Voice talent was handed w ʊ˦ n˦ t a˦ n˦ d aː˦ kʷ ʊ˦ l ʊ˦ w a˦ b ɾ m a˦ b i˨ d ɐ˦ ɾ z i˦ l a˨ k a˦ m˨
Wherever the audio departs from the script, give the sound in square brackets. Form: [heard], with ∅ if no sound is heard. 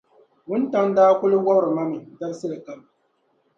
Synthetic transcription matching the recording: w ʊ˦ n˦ t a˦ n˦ d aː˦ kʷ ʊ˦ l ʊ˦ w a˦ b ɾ m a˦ [m] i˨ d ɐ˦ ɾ [s] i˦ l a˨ k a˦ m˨